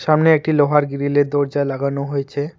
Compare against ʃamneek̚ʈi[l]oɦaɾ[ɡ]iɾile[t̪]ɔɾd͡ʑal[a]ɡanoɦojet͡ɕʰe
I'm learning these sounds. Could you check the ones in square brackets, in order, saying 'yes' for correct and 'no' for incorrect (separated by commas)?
yes, yes, no, yes